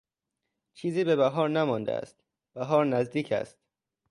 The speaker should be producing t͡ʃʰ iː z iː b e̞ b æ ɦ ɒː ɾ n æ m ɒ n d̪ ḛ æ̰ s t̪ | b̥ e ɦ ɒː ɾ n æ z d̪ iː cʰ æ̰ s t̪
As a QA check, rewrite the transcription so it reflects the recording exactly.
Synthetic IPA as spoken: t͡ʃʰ iː z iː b e̞ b æ ɦ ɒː ɾ n æ m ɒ n d̪ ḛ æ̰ s t̪ | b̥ æ ɦ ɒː ɾ n æ z d̪ iː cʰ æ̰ s t̪